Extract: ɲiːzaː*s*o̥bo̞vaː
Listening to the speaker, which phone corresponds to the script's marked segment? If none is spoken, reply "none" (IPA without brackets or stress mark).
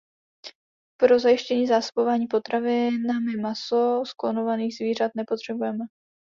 s